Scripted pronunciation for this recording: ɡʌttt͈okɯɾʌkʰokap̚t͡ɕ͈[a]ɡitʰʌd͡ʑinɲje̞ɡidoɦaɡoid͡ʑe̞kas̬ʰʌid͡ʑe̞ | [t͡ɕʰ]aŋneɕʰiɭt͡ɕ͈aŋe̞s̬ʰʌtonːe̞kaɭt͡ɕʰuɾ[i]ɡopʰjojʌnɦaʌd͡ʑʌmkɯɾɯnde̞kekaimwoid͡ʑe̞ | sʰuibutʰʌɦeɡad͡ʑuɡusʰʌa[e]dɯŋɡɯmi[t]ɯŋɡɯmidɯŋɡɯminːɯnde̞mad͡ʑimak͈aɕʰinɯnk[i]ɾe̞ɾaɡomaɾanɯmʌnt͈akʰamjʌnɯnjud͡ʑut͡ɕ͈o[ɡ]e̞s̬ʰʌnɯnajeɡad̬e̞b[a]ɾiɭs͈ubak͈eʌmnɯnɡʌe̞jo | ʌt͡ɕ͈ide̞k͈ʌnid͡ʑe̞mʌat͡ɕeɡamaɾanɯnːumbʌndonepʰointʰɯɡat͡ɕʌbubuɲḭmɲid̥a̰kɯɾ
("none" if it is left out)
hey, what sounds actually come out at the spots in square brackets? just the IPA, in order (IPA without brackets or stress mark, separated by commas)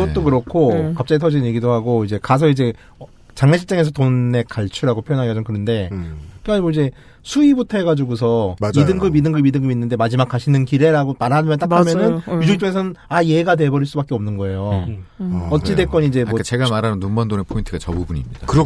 a, t͡ɕ, a, i, d, i, ŋ, ʌ